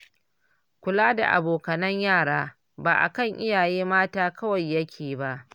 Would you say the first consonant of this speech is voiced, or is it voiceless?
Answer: voiceless